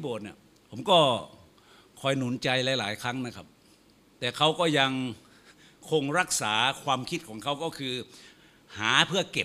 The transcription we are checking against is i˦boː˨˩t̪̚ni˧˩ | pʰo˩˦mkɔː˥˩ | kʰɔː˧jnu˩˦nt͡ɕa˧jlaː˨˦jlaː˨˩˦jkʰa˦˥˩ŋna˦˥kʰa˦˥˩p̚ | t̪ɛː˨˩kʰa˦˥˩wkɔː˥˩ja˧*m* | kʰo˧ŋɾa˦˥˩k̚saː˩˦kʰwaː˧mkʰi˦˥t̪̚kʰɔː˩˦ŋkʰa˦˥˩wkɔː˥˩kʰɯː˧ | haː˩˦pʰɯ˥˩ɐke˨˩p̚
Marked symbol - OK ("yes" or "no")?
no